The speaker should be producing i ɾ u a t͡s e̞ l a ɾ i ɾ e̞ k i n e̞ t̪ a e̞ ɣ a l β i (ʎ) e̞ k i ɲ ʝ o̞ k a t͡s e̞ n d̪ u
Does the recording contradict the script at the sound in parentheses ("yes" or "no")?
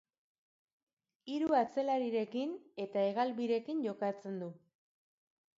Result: yes